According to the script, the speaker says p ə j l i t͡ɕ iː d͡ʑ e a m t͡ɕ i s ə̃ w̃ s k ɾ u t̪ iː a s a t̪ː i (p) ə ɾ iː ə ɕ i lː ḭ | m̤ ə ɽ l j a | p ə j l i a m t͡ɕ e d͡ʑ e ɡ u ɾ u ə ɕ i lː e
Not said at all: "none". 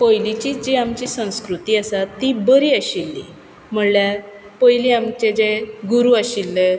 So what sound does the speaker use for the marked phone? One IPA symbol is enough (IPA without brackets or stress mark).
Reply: b